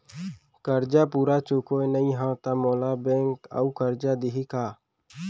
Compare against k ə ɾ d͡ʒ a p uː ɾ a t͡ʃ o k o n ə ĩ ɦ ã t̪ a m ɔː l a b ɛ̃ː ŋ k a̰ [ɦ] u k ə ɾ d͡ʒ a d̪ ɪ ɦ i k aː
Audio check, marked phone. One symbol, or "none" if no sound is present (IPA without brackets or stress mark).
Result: none